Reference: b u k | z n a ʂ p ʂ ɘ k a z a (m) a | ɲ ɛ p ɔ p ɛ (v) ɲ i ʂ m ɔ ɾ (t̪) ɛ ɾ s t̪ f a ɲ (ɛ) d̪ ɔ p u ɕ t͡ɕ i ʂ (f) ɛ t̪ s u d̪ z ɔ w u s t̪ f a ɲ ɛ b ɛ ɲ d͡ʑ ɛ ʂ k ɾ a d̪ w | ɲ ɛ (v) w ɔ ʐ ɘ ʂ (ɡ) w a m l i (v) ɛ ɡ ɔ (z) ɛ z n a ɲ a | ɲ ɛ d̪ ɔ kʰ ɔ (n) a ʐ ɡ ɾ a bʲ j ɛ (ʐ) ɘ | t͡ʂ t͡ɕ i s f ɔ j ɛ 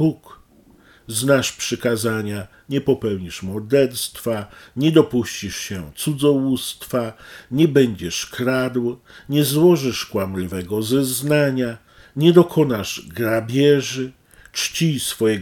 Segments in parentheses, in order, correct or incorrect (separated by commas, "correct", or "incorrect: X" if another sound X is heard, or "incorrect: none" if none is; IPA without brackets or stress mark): incorrect: ɲ, incorrect: w, incorrect: d̪, correct, incorrect: ɕ, incorrect: z, incorrect: k, correct, correct, correct, correct